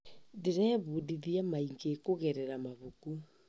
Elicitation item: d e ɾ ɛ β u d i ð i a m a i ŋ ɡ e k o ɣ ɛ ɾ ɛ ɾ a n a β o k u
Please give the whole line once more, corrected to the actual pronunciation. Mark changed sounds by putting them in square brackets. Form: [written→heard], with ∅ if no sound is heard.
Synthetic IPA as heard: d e ɾ ɛ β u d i ð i a m a i ŋ ɡ e k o ɣ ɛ ɾ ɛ ɾ a [n→m] a β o k u